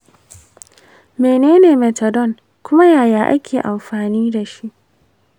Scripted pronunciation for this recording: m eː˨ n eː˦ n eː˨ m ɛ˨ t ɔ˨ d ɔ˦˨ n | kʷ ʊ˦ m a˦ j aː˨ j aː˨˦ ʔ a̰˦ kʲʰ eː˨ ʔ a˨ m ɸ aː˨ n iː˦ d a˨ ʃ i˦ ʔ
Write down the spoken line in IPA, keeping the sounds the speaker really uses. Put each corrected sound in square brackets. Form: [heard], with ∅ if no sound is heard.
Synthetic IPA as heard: m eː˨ n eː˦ n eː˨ m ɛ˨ t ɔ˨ d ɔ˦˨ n | kʷ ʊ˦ m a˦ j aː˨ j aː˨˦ ʔ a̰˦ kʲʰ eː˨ ʔ a˨ m ɸ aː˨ n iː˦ d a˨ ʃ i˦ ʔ